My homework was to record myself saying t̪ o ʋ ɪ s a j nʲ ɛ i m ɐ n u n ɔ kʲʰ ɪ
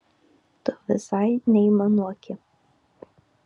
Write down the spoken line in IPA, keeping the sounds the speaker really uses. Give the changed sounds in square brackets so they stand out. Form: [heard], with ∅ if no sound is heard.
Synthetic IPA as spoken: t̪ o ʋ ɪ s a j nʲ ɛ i m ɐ n u [∅] ɔ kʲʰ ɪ